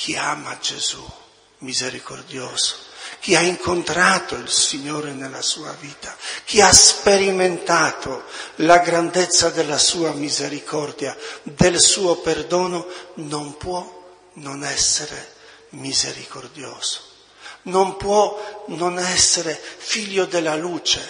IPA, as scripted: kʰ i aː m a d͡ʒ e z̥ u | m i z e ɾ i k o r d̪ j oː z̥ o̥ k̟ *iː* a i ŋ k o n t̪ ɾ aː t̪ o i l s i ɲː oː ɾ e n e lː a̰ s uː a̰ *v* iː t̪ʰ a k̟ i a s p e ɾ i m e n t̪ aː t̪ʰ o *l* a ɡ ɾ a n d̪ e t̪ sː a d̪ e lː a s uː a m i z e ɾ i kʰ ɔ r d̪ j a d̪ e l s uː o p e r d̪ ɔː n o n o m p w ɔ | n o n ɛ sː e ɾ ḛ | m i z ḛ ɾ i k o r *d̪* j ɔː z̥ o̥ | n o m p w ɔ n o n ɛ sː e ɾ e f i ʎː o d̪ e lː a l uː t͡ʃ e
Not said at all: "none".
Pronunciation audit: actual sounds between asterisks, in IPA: i, v, l, d̪

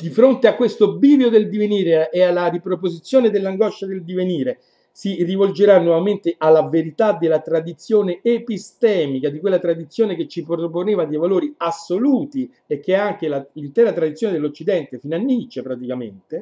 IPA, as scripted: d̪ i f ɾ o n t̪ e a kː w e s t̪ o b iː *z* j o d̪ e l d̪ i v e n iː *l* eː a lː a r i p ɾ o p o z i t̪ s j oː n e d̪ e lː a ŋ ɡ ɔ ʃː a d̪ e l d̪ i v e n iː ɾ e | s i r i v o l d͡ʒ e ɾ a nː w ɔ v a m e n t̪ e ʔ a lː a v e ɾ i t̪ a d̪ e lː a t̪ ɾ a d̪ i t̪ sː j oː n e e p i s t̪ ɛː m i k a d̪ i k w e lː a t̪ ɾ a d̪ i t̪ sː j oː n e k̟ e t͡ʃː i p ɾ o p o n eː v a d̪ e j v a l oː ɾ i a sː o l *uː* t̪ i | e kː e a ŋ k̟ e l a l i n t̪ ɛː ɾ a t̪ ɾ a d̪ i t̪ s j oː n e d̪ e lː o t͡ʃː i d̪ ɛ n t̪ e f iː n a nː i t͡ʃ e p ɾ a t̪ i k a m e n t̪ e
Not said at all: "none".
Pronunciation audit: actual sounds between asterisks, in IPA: v, ɾ, uː

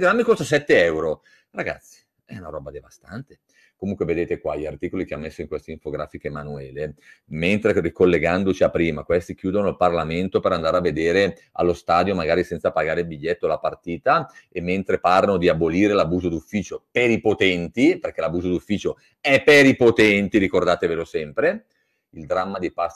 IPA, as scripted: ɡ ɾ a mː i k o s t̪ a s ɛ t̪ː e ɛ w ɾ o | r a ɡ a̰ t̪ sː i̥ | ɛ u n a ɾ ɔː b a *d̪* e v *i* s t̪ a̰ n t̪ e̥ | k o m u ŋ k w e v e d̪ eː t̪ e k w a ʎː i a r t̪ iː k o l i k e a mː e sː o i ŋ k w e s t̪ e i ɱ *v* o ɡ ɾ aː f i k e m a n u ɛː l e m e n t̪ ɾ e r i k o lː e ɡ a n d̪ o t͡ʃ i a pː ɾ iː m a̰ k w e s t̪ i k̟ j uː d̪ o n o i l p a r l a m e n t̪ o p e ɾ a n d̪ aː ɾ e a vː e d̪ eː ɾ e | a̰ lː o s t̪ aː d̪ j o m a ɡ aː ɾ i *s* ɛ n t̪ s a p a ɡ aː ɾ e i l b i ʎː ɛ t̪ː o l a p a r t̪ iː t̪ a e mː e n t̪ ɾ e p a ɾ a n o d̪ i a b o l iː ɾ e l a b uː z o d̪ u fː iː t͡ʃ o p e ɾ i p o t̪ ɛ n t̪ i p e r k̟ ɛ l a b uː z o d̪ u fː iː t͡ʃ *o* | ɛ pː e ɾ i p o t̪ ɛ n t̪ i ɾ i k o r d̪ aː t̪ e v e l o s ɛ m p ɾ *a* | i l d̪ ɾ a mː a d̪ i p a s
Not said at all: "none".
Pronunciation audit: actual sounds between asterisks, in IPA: d̪, a, f, s, o, e

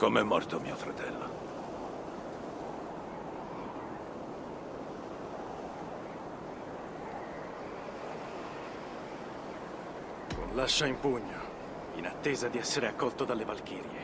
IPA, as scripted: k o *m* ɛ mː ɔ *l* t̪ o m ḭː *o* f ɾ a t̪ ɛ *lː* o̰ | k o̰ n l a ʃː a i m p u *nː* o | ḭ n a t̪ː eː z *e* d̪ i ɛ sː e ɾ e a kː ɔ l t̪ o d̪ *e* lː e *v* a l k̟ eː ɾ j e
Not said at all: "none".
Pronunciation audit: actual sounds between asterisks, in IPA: m, r, o, lː, ɲː, a, a, v

